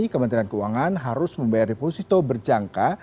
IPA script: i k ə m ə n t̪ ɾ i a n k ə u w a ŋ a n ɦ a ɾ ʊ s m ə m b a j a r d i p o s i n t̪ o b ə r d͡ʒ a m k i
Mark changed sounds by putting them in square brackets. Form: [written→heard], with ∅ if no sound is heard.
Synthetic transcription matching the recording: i k ə m ə n t̪ ɾ i a n k ə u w a ŋ a n ɦ a ɾ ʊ s m ə m b a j a r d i p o s i [n→∅] t̪ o b ə r d͡ʒ a [m→ŋ] k [i→a]

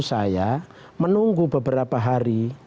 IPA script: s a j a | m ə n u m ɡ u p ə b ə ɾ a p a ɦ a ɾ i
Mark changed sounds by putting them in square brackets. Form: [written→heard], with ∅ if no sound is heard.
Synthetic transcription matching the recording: s a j a | m ə n u [m→ŋ] ɡ u [p→b] ə b ə ɾ a p a ɦ a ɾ i

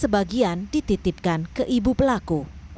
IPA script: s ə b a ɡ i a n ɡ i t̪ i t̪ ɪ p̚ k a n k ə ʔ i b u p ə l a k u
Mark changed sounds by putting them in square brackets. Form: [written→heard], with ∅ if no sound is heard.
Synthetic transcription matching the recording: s ə b a ɡ i a n [ɡ→d] i t̪ i t̪ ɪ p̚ k a n k ə ʔ i b u p ə l a k u

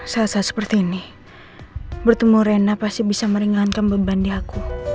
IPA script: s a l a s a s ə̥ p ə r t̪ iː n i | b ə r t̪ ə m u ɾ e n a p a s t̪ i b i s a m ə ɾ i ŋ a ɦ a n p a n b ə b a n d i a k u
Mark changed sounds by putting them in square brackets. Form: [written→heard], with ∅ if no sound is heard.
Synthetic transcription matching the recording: s a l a s a s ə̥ p ə r t̪ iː n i | b ə r t̪ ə m u ɾ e n a p a s t̪ i b i s a m ə ɾ i ŋ a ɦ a n [p→k] a n b ə b a n d i a k u

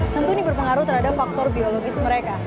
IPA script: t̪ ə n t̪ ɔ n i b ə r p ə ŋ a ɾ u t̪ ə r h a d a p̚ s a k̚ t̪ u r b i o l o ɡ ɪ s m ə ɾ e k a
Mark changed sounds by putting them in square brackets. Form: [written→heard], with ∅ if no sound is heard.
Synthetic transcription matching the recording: t̪ ə n t̪ [ɔ→u] n i b ə r p ə ŋ a ɾ u t̪ ə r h a d a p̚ [s→f] a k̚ t̪ [u→ɔ] r b i o l o ɡ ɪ s m ə ɾ e k a

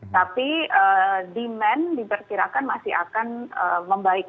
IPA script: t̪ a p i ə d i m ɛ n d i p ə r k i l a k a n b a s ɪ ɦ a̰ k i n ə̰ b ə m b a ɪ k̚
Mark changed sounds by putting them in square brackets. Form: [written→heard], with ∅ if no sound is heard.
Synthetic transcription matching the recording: t̪ a p i ə d i m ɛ n d i p ə r k i [l→ɾ] a k a n [b→m] a s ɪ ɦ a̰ k [i→a] n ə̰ [b→m] ə m b a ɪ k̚

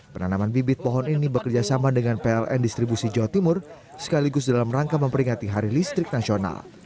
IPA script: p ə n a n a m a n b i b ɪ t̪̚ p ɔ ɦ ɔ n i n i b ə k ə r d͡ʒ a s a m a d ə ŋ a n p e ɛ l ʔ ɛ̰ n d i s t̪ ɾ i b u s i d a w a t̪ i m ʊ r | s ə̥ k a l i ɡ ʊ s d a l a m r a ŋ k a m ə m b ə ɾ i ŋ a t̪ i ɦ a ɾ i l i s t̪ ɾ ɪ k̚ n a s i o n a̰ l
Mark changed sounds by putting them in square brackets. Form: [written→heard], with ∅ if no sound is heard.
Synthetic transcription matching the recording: p ə n a n a m a n b i b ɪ t̪̚ p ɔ ɦ ɔ n i n i b ə k ə r d͡ʒ a s a m a d ə ŋ a n p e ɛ l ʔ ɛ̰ n d i s t̪ ɾ i b u s i [d→d͡ʒ] a w a t̪ i m ʊ r | s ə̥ k a l i ɡ ʊ s d a l a m r a ŋ k a m ə m [b→p] ə ɾ i ŋ a t̪ i ɦ a ɾ i l i s t̪ ɾ ɪ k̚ n a s i o n a̰ l

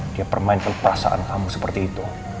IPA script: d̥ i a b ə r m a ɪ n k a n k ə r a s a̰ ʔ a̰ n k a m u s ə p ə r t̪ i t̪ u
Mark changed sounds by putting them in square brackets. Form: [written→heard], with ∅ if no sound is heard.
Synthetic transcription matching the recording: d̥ i a [b→p] ə r m a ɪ n k a n [k→p] ə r a s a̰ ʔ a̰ n k a m u s ə p ə r t̪ [i→iː] t̪ u

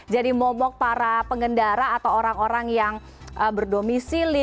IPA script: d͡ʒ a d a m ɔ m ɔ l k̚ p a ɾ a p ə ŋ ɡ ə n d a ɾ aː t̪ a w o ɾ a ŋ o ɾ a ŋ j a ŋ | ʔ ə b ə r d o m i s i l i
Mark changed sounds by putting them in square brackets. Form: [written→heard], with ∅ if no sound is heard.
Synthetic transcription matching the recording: d͡ʒ a d [a→i] m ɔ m ɔ [l→∅] k̚ p a ɾ a p ə ŋ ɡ ə n d a ɾ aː t̪ a w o ɾ a ŋ o ɾ a ŋ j a ŋ | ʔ ə b ə r d o m i s i l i

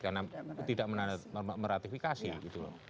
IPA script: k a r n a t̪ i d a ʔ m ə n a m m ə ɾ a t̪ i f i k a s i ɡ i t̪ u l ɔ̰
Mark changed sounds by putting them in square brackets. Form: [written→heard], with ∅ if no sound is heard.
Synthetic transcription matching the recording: k a r n a t̪ i d a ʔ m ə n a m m ə ɾ a t̪ i f i k a s i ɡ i t̪ u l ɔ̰

